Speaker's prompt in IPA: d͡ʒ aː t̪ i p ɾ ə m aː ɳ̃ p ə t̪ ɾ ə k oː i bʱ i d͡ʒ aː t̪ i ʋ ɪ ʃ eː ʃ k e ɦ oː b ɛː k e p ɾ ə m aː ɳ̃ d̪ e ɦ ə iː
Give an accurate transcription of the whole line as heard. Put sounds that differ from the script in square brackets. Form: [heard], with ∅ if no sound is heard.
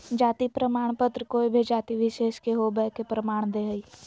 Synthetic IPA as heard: d͡ʒ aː t̪ i p ɾ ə m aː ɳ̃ p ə t̪ ɾ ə k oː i bʱ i d͡ʒ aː t̪ i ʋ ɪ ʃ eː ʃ k e ɦ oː b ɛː k e p ɾ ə m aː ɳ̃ d̪ e ɦ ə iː